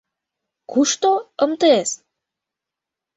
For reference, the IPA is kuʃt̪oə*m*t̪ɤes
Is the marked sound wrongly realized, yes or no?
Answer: no